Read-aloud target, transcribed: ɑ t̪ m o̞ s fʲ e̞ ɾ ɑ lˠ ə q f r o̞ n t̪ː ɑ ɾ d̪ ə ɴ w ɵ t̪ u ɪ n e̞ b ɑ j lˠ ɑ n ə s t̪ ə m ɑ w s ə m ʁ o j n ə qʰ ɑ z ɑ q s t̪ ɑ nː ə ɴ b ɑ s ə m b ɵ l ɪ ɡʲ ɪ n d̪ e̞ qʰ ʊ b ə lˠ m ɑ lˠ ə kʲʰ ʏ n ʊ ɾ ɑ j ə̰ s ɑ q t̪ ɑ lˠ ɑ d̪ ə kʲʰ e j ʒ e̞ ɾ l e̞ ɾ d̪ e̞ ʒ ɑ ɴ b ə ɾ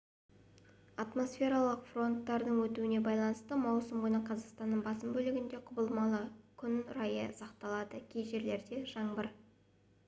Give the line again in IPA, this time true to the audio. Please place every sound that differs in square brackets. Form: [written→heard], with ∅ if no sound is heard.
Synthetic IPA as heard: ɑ t̪ m o̞ s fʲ e̞ ɾ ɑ lˠ ə q f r o̞ n t̪ː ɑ ɾ d̪ ə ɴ w ɵ t̪ u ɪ n e̞ b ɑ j lˠ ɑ n ə s t̪ ə m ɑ w s ə m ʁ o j n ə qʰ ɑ z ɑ q s t̪ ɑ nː ə ɴ b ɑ s ə m b ɵ l ɪ ɡʲ ɪ n d̪ e̞ qʰ ʊ b ə lˠ m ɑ lˠ ə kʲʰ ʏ n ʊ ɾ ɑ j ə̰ s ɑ q t̪ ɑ lˠ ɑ d̪ ə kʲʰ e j ʒ e̞ ɾ l e̞ ɾ d̪ e̞ ʒ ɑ ɴ b ə ɾ